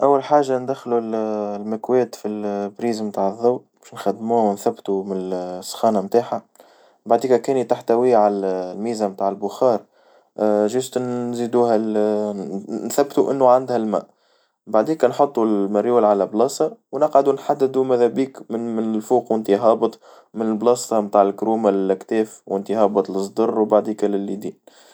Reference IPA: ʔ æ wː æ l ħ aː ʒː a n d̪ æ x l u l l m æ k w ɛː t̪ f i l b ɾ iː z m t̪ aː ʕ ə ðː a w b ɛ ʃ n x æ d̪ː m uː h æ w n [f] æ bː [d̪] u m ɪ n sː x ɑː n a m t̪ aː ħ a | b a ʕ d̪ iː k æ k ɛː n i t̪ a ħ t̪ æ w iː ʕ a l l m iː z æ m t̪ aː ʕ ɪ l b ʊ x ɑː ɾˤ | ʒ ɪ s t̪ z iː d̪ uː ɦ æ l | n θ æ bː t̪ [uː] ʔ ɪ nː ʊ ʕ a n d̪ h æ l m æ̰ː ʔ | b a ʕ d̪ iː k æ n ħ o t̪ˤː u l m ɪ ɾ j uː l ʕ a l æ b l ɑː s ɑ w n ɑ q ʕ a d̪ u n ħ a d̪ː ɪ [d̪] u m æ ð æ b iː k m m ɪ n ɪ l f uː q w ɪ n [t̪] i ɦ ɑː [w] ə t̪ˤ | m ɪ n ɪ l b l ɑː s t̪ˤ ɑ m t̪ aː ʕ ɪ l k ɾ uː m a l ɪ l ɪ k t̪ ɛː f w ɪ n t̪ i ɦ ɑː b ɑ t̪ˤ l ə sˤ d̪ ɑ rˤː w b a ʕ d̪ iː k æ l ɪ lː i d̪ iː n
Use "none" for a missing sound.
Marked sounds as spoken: θ, t̪, u, d̪, t̪, b

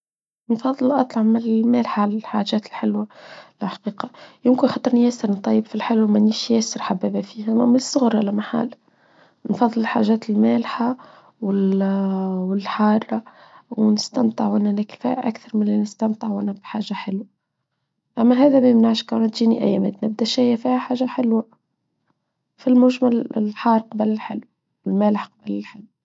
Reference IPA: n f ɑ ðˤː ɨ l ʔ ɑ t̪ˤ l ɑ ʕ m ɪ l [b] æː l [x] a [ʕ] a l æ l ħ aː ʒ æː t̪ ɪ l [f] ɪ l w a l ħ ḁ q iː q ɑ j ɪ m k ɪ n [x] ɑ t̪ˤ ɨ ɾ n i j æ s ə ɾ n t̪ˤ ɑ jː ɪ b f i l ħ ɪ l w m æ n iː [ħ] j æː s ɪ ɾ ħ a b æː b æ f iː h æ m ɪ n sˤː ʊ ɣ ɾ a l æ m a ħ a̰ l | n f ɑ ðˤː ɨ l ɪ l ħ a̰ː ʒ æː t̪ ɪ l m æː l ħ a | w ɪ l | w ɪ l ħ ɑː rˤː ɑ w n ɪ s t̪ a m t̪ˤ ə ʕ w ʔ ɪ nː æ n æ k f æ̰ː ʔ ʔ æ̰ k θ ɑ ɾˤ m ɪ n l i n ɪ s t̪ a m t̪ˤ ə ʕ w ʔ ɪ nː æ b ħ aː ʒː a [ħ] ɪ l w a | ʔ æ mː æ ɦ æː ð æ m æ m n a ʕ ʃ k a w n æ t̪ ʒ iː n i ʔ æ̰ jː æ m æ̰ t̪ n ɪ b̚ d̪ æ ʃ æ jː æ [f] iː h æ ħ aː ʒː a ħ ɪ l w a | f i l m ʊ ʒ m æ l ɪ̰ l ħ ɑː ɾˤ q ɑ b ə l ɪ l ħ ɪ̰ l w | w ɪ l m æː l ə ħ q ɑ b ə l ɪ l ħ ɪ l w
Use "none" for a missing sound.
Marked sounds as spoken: m, ħ, ʕ, ħ, x, ʃ, ħ, f

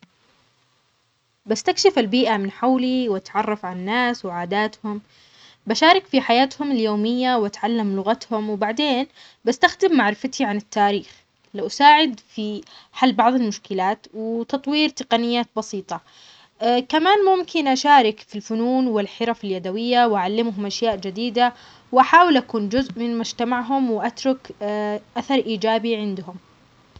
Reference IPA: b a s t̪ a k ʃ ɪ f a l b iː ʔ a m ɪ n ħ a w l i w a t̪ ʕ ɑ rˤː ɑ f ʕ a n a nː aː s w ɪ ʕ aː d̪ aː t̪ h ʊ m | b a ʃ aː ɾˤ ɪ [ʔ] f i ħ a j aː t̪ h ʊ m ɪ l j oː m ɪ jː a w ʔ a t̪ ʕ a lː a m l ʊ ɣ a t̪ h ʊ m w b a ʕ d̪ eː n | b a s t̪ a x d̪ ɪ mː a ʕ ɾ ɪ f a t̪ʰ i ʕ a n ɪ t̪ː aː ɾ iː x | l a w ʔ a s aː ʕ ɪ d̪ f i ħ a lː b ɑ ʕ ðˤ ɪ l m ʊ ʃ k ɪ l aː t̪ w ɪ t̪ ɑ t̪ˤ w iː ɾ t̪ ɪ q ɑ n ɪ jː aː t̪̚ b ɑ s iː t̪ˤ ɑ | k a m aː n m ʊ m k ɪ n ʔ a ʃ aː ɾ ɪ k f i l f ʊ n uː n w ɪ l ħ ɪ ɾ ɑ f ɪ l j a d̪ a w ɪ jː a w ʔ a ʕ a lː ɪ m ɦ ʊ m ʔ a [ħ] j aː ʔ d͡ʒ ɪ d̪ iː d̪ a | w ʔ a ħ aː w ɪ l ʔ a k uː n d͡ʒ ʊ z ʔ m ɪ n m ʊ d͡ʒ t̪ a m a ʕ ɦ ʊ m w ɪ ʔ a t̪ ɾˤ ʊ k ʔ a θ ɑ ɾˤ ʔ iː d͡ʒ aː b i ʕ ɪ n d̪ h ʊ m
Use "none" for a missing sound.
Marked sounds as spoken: k, ʃ

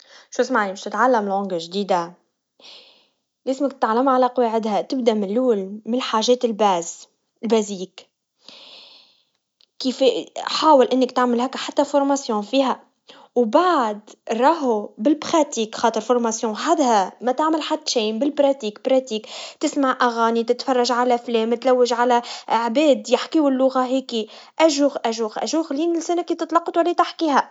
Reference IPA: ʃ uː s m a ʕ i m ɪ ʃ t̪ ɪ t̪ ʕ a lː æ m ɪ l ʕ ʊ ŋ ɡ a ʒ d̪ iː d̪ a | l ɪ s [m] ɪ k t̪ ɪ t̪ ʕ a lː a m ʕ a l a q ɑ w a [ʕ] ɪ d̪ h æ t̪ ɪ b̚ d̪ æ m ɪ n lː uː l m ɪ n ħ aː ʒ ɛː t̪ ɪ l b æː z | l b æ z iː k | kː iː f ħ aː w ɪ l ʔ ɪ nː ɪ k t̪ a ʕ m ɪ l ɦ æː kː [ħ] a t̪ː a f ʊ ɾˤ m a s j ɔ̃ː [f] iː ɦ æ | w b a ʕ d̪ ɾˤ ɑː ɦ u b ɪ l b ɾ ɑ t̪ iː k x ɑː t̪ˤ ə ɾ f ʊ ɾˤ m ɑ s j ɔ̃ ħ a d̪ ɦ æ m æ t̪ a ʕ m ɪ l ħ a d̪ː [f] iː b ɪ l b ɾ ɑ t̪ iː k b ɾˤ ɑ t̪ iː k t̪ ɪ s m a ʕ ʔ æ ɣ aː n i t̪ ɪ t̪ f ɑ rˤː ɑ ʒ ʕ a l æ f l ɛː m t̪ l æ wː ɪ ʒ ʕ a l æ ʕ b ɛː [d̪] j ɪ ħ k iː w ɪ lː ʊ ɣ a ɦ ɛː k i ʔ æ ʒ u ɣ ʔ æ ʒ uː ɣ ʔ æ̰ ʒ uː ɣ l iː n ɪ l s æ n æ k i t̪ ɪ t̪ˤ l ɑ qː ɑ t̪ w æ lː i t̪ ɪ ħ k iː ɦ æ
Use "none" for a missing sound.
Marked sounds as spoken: m, ʕ, ħ, f, ʃ, d̪

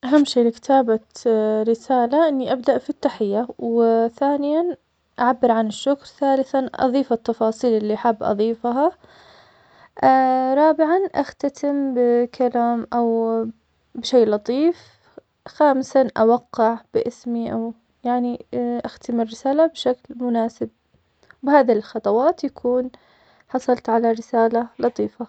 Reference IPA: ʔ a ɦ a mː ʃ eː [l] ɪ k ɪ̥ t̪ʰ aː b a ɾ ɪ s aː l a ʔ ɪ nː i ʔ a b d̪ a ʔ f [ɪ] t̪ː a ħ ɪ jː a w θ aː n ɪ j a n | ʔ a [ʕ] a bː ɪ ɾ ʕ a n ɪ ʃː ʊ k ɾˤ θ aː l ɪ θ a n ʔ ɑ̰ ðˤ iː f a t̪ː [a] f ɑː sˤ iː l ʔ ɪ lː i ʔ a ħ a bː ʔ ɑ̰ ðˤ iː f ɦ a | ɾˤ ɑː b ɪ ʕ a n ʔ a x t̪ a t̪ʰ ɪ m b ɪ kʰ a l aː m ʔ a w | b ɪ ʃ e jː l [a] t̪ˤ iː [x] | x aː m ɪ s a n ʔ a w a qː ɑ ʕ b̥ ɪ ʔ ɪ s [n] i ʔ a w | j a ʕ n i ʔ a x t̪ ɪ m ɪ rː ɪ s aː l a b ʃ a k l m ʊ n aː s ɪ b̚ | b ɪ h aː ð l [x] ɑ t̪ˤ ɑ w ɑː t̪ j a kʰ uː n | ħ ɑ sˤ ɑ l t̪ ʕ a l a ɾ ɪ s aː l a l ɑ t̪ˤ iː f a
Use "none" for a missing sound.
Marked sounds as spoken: l, i, ʕ, ɑ, ɑ, f, m, x

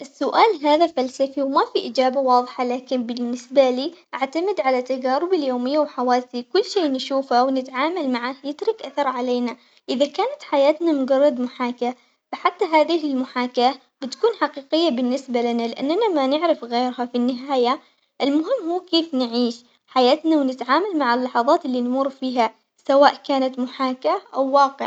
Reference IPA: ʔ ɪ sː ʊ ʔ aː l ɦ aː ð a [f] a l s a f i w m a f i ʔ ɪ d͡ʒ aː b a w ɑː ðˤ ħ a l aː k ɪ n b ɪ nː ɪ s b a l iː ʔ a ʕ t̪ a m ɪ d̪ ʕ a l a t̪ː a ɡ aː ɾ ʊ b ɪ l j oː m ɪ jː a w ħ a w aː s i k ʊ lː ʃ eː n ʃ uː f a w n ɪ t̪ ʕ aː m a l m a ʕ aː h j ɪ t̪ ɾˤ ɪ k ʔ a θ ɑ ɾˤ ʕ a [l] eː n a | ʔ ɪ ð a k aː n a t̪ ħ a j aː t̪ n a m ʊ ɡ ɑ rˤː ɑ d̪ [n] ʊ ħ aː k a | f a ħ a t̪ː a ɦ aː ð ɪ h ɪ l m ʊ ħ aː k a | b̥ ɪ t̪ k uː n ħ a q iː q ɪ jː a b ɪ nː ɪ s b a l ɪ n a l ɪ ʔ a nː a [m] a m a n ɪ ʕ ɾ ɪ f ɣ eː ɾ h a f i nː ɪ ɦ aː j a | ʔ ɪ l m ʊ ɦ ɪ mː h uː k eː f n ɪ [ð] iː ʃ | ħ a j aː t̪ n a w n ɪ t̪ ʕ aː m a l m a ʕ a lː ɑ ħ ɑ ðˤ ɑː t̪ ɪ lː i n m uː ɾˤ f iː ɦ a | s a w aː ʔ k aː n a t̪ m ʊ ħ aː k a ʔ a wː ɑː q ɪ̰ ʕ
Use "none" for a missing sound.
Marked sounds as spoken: f, l, m, n, ʕ

